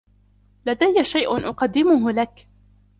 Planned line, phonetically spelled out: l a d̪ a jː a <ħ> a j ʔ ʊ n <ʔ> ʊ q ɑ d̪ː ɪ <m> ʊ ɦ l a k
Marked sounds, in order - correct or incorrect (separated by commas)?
incorrect, correct, correct